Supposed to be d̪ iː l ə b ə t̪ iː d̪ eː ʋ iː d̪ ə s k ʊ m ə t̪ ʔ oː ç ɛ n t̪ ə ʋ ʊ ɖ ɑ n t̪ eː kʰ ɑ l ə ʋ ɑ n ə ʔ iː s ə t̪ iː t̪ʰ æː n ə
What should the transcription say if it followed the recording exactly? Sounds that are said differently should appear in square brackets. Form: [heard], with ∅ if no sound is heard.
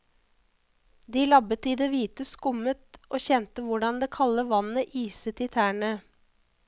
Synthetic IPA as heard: d̪ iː l [ɑ] b ə t̪ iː d̪ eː ʋ iː [t̪] ə s k ʊ m ə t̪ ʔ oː ç ɛ n t̪ ə ʋ ʊ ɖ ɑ n [d̪] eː kʰ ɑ l ə ʋ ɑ n ə ʔ iː s ə t̪ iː t̪ʰ æː [ɳ] ə

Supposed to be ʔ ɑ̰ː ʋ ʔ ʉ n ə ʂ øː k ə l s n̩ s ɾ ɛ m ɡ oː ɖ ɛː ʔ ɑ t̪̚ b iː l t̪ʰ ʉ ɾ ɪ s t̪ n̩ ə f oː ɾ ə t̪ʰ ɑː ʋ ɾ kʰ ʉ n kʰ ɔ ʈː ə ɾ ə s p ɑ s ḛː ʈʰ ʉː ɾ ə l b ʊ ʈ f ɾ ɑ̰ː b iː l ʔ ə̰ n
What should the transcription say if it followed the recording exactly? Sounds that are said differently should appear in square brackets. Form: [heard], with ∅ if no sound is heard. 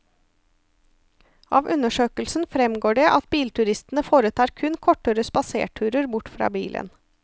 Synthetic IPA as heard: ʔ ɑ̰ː ʋ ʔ ʉ n ə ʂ øː k ə l s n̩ [f] ɾ ɛ m ɡ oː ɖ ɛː ʔ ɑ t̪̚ b iː l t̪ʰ ʉ ɾ ɪ s t̪ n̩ ə f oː ɾ ə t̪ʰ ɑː [∅] ɾ kʰ ʉ n kʰ ɔ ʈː ə ɾ ə s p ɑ s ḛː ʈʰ ʉː ɾ ə [ɾ] b ʊ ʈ f ɾ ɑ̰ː b iː l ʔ ə̰ n

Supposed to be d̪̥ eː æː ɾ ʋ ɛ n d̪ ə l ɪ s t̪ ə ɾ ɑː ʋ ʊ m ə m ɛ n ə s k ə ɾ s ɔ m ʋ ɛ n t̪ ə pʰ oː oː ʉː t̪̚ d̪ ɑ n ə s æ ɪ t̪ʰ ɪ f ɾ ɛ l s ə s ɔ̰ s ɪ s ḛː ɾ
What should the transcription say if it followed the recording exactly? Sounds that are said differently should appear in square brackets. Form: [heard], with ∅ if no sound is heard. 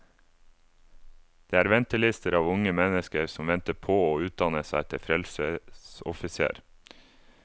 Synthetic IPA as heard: d̪̥ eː æː ɾ ʋ ɛ n [t̪] ə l ɪ s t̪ ə ɾ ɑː ʋ ʊ [ŋ] ə m ɛ n ə s k ə ɾ s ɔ m ʋ ɛ n t̪ ə pʰ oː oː ʉː t̪̚ d̪ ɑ n ə s æ ɪ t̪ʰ ɪ f ɾ ɛ l s ə s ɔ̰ [f] ɪ s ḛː ɾ

